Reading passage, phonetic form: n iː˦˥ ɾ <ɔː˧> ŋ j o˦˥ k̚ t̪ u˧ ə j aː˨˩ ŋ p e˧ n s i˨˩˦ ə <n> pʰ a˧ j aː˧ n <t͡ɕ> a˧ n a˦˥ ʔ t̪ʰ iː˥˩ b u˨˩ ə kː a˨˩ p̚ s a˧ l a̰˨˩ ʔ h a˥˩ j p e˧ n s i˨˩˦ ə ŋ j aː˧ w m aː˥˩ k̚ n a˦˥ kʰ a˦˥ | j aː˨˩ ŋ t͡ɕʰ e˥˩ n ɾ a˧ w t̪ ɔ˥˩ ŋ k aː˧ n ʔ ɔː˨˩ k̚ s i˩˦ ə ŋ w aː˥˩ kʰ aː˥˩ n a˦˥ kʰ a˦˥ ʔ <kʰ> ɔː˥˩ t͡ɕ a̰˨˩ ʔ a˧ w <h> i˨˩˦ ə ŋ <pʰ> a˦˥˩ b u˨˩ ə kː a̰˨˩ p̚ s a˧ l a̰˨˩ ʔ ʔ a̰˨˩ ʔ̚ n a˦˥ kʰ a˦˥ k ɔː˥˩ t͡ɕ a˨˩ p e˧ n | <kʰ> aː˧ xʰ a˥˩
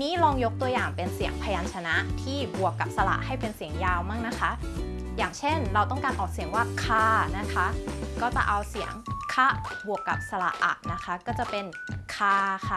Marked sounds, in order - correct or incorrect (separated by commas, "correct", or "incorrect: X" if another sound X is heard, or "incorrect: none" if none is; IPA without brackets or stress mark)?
correct, incorrect: ŋ, incorrect: t͡ɕʰ, incorrect: k, incorrect: s, incorrect: kʰ, correct